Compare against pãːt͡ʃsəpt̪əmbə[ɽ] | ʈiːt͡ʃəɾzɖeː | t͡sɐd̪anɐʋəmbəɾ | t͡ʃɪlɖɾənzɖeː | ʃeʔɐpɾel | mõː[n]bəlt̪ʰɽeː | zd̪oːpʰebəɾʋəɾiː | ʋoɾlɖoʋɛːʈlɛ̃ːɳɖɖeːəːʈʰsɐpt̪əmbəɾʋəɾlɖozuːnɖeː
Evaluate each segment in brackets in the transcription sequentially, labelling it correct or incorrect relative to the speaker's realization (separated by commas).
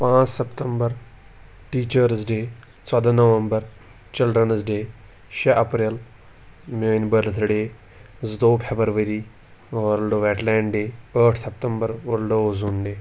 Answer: incorrect, correct